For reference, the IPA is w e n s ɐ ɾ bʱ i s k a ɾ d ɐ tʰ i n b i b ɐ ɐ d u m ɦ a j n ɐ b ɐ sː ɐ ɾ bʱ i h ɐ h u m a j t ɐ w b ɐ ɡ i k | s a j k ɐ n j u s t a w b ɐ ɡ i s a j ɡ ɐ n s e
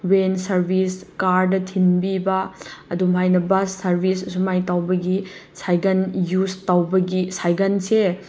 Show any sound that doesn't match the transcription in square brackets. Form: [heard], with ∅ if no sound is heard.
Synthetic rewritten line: w e n s ɐ ɾ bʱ i s k a ɾ d ɐ tʰ i n b i b ɐ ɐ d u m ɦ a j n ɐ b ɐ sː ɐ ɾ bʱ i [s] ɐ [s] u m a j t [a] w b ɐ ɡ i [∅] | s a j [ɡ] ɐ n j u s t a w b ɐ ɡ i s a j ɡ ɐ n s e